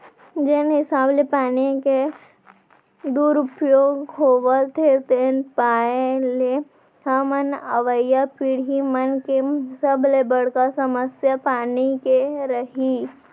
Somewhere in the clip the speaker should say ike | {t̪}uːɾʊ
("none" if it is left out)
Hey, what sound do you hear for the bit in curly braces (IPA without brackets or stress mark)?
d̪